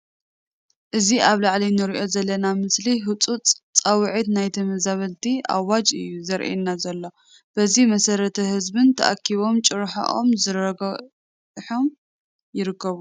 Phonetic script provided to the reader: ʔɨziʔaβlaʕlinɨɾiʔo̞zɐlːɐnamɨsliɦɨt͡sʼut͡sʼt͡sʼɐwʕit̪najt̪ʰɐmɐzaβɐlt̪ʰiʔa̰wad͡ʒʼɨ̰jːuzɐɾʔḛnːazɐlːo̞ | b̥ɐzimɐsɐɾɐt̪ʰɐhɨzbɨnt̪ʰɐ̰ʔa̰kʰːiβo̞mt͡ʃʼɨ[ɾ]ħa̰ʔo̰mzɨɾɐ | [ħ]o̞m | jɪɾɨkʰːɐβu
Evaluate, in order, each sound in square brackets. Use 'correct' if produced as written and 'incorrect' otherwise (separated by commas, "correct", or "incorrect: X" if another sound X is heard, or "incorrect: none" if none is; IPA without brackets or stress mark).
correct, correct